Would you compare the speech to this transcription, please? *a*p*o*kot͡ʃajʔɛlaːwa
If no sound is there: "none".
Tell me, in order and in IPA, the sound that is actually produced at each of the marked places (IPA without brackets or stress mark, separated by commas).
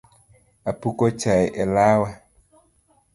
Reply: a, u